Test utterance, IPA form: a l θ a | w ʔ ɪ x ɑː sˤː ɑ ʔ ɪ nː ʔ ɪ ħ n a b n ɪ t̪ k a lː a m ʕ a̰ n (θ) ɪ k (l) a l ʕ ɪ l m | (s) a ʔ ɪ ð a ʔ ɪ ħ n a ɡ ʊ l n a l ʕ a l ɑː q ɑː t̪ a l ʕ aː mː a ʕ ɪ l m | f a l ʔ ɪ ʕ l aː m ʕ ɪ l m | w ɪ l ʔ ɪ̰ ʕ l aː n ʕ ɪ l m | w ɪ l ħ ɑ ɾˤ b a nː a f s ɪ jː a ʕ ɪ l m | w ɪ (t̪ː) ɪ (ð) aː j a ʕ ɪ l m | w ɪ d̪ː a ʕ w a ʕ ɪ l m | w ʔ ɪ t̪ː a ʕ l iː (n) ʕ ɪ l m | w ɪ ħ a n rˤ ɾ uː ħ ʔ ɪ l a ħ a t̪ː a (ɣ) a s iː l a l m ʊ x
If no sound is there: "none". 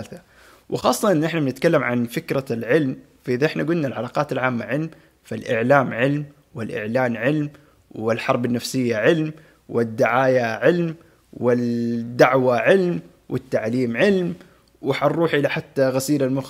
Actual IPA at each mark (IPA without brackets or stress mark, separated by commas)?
f, ɾ, f, d̪ː, ʕ, m, ɣ